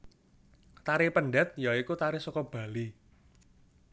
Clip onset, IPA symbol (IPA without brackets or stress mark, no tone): t̪